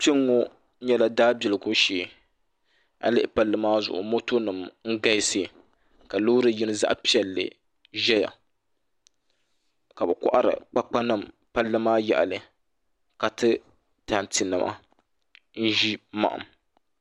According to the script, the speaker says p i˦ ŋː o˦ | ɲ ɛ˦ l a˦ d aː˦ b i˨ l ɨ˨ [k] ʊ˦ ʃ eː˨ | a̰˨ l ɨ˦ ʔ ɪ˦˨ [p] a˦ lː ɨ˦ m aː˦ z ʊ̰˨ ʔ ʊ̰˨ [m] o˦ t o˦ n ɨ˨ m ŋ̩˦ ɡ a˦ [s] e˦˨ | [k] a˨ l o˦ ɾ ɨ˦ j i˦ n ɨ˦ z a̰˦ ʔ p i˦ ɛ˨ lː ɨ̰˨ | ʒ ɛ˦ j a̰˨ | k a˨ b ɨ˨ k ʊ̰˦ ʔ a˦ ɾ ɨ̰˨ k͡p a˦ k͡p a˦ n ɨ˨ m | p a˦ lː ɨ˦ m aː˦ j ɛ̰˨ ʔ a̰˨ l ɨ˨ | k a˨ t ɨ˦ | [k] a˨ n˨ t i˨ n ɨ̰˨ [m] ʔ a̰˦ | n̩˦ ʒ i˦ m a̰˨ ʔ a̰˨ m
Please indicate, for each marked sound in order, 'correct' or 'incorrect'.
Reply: incorrect, correct, correct, correct, correct, incorrect, correct

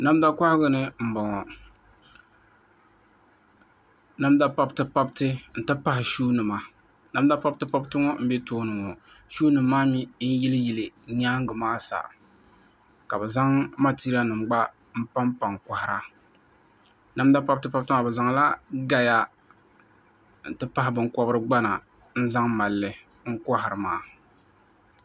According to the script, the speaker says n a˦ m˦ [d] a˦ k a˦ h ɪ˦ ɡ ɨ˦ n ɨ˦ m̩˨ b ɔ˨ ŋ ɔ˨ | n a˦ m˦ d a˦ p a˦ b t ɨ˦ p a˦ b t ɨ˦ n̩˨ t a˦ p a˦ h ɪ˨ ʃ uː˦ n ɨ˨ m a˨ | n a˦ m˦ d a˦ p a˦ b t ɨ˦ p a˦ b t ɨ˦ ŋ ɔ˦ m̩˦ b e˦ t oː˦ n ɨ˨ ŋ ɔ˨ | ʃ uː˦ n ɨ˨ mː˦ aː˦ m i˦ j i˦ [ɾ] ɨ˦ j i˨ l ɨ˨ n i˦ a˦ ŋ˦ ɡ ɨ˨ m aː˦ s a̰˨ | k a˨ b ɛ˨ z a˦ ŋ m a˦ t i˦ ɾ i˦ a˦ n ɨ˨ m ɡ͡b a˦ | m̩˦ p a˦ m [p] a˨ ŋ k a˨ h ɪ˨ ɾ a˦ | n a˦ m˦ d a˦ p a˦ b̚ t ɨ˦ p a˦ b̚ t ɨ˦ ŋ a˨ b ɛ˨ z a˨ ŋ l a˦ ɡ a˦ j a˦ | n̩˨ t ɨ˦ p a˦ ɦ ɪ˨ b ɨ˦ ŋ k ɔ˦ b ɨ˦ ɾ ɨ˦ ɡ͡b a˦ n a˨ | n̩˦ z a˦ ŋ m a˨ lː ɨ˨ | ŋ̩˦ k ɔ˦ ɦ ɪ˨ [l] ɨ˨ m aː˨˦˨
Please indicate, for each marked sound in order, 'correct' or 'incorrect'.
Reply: correct, incorrect, correct, incorrect

